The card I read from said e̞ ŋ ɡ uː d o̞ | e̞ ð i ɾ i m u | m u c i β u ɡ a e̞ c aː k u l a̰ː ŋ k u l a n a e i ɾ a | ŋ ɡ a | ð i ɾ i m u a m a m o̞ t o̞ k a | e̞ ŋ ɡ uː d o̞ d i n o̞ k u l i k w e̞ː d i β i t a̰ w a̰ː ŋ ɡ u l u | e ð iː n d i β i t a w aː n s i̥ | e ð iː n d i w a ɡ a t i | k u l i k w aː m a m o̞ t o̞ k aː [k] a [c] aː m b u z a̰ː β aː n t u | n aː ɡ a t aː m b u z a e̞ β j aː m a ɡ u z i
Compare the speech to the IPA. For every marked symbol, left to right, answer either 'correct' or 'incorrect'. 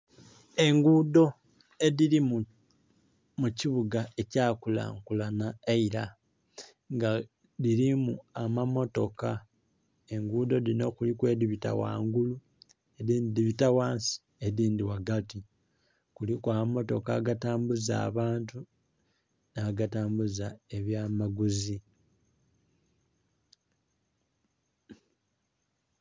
incorrect, incorrect

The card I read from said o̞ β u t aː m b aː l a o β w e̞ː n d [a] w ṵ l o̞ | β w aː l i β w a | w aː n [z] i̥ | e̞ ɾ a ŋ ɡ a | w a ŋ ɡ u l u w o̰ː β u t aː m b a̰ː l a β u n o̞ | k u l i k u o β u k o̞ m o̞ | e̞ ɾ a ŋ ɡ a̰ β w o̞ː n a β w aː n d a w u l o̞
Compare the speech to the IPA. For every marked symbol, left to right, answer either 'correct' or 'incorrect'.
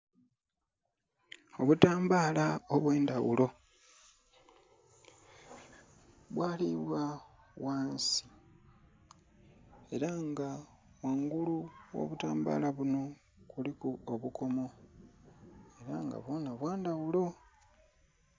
correct, incorrect

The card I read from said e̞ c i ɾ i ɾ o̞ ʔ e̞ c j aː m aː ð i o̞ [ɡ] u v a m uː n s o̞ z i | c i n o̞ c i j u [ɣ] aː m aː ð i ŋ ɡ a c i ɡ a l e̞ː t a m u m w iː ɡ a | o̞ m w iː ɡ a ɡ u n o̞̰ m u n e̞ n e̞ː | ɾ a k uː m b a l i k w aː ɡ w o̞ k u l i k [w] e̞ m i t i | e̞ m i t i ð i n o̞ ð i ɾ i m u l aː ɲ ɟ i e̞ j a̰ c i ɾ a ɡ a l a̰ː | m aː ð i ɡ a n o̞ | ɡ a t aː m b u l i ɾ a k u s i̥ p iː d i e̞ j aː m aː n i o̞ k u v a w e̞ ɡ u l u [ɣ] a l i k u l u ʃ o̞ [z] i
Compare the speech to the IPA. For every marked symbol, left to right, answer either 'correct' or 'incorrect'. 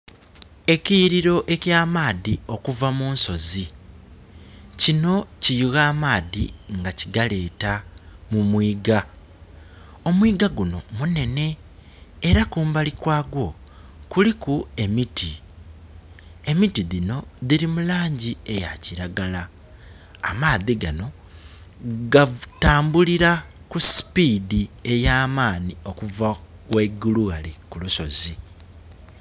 incorrect, correct, incorrect, correct, correct

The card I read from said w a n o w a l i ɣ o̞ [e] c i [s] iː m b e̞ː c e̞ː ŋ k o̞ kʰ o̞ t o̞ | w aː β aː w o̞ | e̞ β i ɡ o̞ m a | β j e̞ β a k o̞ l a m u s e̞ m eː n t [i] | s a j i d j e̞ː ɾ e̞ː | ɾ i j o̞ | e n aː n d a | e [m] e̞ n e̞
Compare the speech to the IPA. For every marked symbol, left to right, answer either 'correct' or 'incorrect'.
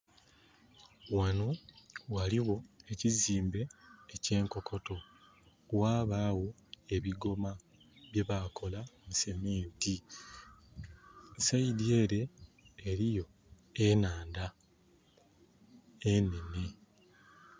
correct, incorrect, correct, incorrect

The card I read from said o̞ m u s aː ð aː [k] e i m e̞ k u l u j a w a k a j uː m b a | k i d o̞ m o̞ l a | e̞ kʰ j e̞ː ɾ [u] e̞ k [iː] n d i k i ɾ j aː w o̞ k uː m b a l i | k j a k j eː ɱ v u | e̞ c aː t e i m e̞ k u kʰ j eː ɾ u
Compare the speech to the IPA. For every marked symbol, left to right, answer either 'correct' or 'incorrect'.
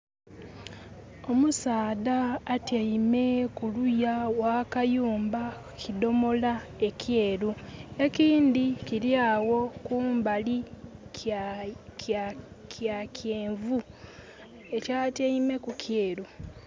incorrect, correct, correct

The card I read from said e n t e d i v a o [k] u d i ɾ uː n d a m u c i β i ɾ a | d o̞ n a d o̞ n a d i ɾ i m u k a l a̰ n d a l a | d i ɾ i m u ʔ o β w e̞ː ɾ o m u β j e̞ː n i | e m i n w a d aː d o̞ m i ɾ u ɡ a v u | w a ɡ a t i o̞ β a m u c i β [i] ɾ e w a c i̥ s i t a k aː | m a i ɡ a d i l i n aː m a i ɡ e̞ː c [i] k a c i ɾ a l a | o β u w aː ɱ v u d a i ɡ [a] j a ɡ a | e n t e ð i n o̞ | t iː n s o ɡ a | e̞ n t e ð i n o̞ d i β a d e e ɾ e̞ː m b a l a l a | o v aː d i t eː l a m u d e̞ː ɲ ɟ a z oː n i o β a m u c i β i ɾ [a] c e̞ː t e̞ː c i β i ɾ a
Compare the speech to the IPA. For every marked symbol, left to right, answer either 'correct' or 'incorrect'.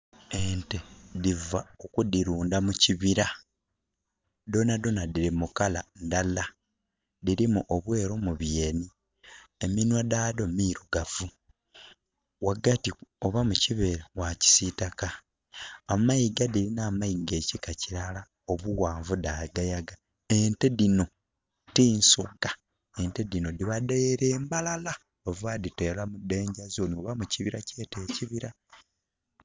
correct, incorrect, correct, correct, correct

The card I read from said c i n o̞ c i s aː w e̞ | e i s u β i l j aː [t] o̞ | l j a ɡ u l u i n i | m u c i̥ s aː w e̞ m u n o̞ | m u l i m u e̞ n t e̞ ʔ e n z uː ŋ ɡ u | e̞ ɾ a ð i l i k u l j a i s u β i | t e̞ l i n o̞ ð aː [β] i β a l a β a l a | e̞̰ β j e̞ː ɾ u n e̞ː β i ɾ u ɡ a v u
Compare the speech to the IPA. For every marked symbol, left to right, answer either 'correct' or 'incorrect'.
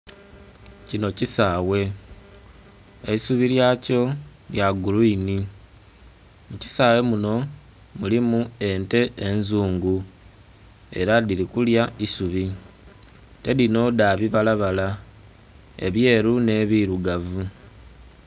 incorrect, correct

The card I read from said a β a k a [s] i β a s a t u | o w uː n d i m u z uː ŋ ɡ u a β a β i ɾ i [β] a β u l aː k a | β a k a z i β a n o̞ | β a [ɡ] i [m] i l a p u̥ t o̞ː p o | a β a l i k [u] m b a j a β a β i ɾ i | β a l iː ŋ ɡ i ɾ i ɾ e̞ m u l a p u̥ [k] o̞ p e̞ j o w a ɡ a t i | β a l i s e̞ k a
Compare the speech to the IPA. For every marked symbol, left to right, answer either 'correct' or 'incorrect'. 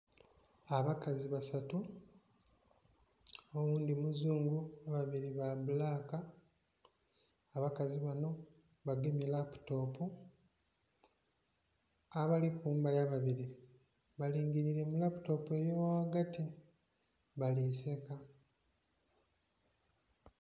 incorrect, correct, correct, correct, incorrect, incorrect

